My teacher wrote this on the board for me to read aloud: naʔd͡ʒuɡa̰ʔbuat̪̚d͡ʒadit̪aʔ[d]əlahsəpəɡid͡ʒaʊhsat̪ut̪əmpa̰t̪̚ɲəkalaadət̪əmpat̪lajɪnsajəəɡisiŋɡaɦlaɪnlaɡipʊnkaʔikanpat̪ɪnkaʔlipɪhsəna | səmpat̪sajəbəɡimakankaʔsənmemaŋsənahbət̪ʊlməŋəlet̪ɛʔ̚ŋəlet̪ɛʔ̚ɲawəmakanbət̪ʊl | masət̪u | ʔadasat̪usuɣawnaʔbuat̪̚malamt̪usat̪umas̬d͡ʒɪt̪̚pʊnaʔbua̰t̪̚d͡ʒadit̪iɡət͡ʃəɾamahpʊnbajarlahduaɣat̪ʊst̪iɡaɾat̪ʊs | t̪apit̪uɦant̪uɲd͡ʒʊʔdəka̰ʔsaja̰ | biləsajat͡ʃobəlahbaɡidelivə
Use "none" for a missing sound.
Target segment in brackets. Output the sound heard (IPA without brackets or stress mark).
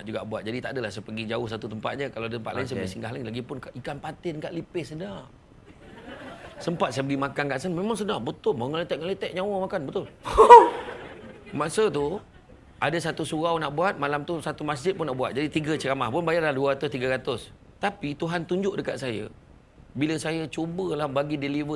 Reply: d